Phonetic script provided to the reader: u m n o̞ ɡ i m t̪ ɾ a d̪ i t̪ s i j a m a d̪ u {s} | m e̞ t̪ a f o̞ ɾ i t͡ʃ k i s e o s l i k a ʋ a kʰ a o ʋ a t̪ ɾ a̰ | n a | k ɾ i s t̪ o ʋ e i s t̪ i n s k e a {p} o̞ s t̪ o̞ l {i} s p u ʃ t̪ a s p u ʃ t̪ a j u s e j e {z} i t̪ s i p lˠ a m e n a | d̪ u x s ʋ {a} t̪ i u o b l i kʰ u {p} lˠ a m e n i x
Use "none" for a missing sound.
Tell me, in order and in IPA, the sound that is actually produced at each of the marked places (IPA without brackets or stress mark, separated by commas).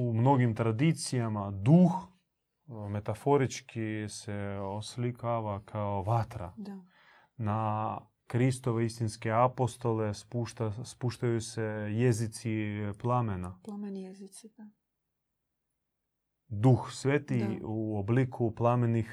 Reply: x, p, e, z, e, p